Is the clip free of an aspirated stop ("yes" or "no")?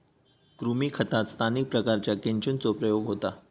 no